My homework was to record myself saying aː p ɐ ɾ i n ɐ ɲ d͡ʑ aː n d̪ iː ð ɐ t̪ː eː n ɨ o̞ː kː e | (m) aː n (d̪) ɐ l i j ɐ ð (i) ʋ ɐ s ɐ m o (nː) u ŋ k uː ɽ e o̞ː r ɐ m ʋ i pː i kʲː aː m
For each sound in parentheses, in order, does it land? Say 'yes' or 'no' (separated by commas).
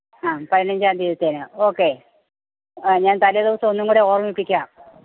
no, no, yes, yes